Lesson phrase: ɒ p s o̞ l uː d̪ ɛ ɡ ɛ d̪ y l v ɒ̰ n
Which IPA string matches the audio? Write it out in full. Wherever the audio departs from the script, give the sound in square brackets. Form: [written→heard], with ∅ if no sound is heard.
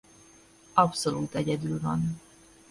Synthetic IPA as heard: ɒ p s o̞ l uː [d̪→t̪] ɛ [ɡ→ɟ] ɛ d̪ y l v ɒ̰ n